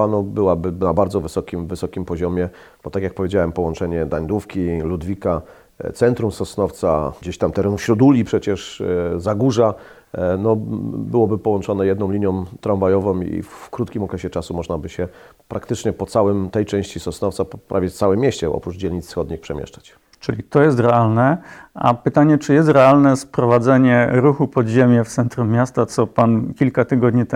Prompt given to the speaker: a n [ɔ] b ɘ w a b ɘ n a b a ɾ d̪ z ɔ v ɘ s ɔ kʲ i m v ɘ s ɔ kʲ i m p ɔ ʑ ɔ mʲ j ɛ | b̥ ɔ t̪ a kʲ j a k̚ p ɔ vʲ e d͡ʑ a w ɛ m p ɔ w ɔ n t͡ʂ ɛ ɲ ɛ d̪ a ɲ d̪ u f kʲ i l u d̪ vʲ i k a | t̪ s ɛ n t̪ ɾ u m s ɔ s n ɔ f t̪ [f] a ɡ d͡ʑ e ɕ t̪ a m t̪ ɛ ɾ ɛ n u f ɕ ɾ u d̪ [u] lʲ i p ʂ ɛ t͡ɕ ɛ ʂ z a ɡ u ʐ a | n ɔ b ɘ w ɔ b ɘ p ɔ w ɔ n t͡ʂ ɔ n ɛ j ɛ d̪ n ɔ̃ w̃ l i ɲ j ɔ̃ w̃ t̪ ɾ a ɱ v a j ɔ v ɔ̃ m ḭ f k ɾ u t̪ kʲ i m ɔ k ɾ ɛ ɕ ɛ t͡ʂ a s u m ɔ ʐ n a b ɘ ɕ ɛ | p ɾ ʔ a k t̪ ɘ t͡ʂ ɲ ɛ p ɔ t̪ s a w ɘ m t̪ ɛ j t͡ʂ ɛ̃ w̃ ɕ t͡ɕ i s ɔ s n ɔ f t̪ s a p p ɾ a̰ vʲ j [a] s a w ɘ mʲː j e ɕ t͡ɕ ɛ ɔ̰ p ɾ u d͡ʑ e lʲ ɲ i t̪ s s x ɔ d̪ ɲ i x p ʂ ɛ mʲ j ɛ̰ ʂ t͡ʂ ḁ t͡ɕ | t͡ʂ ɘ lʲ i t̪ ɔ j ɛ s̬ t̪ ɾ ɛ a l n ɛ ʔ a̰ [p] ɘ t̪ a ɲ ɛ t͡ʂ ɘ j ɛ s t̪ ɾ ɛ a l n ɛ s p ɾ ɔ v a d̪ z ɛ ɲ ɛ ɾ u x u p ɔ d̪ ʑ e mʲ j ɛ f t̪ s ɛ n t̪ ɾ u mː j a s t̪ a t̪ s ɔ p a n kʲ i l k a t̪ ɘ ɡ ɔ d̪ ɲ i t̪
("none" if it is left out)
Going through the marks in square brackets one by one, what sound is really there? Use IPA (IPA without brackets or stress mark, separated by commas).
ɔ, s, u, ɛ, p